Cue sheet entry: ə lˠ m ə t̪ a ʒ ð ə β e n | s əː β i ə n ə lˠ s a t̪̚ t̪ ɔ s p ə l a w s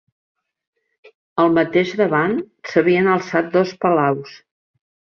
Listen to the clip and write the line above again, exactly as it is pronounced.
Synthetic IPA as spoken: ə lˠ m ə t̪ e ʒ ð ə β a n | s ə β i ə n ə lˠ s a t̪̚ d̪ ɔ s p ə l a w s